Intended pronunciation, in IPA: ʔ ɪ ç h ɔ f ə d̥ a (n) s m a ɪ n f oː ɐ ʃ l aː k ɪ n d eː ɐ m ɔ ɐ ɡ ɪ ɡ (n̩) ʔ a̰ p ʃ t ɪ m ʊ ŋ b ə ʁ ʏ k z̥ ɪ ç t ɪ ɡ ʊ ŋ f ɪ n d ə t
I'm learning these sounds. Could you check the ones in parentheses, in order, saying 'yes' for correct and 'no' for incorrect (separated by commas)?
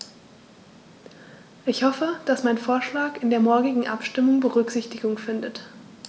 no, no